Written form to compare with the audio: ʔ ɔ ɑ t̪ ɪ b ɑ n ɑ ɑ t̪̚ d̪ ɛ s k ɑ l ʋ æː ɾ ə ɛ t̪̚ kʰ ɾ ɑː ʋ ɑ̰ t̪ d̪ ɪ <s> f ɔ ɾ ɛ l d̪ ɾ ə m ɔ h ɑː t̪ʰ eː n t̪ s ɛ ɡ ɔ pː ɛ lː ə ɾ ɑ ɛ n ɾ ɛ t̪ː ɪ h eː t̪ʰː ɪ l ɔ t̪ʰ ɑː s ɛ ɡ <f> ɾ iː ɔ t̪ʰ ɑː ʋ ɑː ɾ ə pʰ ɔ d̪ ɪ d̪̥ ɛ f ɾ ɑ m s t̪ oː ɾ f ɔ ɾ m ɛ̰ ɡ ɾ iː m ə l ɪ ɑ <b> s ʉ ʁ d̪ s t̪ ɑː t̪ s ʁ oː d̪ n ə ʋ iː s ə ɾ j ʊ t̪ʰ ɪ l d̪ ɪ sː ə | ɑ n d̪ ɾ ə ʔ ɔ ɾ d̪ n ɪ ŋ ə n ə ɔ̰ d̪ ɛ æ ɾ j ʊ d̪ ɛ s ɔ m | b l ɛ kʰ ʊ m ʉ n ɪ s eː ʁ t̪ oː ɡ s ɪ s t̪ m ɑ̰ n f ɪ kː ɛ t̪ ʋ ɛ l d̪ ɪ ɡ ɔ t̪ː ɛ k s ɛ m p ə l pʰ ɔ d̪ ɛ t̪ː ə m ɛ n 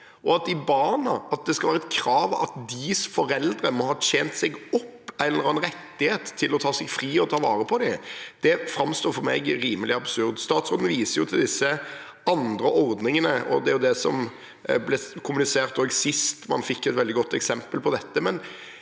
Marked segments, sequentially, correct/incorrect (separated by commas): correct, correct, correct